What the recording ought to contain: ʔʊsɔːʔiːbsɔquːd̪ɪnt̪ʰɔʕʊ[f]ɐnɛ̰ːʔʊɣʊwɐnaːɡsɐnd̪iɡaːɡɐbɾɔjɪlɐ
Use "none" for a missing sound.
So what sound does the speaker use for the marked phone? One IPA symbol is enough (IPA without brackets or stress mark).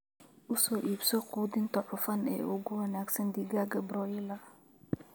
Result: f